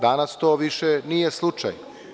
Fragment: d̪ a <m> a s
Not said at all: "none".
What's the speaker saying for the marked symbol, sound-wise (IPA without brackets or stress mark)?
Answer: n